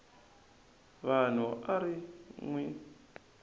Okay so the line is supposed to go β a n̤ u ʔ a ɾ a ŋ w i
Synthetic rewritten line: β a n̤ u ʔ a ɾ i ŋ w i